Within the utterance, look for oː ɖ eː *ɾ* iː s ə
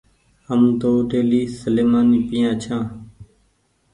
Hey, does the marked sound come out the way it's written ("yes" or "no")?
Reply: no